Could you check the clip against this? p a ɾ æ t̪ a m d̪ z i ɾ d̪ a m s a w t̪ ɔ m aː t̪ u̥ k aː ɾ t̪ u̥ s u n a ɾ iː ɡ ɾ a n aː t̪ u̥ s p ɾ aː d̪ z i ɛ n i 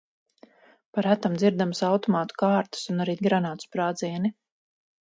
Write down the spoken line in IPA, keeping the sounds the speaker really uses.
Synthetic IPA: p a ɾ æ t̪ a m d̪ z i ɾ d̪ a m s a w t̪ ɔ m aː t̪ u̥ k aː ɾ t̪ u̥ s u n a ɾ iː ɡ ɾ a n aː t̪ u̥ s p ɾ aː d̪ z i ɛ n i